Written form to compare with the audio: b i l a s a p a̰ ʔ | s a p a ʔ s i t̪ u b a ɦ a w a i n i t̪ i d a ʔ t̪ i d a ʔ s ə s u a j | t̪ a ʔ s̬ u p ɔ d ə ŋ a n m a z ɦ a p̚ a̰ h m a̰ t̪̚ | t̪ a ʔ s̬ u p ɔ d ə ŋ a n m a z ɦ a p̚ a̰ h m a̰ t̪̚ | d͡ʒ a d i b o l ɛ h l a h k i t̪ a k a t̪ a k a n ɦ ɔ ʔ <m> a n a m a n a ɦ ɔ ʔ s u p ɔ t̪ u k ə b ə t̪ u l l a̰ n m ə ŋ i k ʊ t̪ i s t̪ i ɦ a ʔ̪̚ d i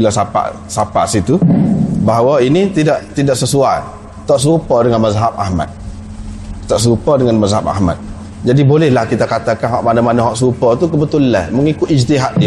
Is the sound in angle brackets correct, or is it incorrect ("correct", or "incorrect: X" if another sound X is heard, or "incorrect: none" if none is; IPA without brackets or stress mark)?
correct